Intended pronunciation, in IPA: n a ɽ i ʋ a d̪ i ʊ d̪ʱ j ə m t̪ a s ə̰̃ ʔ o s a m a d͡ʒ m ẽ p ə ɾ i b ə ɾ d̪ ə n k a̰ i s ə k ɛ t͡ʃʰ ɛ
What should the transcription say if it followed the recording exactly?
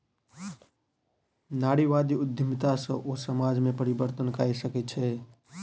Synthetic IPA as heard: n a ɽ i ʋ a d̪ i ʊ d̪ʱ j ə m t̪ a s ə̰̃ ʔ o s ə m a d͡ʒ m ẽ p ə ɾ i b ə ɾ t̪ ə n k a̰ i s ə k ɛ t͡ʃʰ ɛ